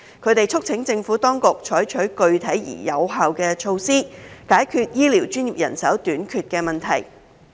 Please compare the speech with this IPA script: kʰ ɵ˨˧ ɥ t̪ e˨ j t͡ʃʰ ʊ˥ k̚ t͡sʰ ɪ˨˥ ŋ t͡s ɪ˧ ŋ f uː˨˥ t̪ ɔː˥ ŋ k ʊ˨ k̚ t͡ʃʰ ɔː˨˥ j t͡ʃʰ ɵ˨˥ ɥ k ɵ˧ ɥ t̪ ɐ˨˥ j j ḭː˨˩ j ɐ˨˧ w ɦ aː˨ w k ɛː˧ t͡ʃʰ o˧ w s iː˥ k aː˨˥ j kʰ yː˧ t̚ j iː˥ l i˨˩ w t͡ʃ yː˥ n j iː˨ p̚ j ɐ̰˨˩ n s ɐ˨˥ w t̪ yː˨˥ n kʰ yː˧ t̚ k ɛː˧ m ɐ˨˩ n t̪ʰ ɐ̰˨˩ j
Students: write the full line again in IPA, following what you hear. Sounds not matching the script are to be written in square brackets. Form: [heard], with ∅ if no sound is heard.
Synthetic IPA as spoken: kʰ ɵ˨˧ ɥ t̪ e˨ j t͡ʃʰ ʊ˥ k̚ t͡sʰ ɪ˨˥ ŋ t͡s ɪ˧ ŋ f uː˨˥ t̪ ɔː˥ ŋ k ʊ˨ k̚ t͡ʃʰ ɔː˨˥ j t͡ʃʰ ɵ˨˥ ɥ k ɵ˧ ɥ [t̪ʰ] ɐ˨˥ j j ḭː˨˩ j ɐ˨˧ w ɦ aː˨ w k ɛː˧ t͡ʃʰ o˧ w s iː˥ k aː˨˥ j kʰ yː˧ t̚ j iː˥ l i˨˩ w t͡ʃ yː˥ n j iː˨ p̚ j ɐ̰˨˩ n s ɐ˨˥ w t̪ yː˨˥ n kʰ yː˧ t̚ k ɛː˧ m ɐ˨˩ n t̪ʰ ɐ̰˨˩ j